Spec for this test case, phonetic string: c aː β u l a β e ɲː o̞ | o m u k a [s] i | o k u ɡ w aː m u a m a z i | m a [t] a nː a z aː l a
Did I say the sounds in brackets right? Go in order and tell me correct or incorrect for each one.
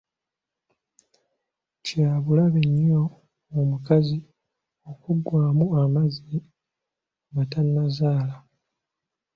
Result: incorrect: z, correct

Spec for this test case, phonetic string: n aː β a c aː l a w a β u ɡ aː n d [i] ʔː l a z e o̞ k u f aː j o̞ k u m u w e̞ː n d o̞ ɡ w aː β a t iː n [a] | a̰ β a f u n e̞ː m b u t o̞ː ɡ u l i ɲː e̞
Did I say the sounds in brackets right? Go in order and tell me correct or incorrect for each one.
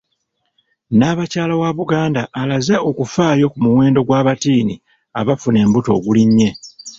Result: incorrect: a, incorrect: i

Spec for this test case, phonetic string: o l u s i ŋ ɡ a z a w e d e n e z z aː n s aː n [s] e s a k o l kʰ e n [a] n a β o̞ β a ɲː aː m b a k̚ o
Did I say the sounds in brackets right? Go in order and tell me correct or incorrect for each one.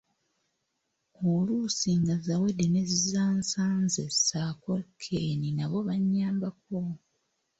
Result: incorrect: z, incorrect: i

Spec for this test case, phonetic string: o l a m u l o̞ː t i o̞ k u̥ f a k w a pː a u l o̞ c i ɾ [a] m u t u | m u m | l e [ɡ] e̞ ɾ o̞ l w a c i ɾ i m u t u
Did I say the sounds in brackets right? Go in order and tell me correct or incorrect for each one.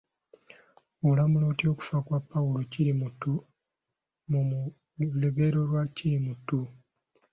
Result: incorrect: i, correct

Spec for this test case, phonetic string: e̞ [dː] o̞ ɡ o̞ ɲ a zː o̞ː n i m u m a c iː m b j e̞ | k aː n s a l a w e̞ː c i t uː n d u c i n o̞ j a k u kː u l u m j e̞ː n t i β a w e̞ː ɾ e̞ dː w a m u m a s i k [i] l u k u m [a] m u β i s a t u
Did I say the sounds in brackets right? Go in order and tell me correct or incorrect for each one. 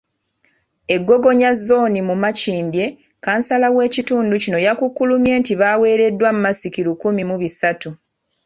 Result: incorrect: ɡː, correct, incorrect: i

